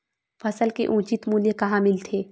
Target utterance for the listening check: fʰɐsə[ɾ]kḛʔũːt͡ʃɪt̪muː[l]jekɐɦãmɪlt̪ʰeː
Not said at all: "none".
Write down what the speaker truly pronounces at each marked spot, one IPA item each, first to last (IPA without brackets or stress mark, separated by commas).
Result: l, l